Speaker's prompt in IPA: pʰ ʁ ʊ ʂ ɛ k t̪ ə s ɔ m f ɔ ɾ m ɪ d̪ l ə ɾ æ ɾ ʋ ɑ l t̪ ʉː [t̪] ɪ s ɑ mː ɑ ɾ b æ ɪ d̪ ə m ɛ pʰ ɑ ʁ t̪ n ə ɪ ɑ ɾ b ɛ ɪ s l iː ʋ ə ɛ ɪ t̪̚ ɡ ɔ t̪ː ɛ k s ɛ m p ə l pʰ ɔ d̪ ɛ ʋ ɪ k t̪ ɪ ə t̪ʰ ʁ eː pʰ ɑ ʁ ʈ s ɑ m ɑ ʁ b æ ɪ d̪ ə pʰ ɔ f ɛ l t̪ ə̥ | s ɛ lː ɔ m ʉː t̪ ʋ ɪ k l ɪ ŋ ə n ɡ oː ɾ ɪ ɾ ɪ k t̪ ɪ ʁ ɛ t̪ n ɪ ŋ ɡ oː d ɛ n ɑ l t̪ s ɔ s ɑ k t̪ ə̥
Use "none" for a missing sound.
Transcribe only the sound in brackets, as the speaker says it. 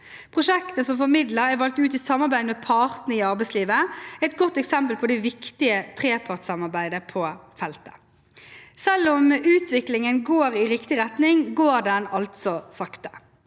t̪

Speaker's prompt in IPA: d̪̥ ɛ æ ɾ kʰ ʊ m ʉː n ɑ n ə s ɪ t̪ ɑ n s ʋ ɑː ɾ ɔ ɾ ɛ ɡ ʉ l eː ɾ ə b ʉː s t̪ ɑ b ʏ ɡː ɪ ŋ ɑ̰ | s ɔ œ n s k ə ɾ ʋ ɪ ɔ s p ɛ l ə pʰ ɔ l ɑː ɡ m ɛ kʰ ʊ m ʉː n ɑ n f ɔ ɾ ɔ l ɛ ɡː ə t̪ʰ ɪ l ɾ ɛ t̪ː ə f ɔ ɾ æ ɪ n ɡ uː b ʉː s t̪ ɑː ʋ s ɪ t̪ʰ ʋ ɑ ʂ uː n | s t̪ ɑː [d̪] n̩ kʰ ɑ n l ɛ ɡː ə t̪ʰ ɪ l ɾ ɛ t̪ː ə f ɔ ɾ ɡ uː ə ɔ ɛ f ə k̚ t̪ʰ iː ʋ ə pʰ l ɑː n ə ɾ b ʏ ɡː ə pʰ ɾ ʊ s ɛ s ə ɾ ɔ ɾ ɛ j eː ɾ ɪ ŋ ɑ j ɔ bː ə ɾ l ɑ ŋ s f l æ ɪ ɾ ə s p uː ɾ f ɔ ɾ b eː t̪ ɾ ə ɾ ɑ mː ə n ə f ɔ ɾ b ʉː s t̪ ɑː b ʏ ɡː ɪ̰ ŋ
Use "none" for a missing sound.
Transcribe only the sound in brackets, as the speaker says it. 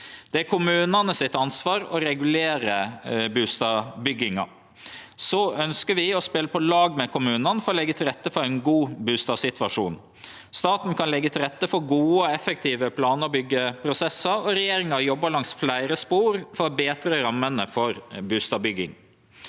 t̪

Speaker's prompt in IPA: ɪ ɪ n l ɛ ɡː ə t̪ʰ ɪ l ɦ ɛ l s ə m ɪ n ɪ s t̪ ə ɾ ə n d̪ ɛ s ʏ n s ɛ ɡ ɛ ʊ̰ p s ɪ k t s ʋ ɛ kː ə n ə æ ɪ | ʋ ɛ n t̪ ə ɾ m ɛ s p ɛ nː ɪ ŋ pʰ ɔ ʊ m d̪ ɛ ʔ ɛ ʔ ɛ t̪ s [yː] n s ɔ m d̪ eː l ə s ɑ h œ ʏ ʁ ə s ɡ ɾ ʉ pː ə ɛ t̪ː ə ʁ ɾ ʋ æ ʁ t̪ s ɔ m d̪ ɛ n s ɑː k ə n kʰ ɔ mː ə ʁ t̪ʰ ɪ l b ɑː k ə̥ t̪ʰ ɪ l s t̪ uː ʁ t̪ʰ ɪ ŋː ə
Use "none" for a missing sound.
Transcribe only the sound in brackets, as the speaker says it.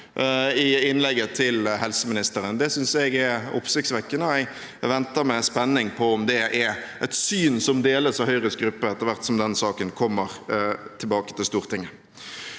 yː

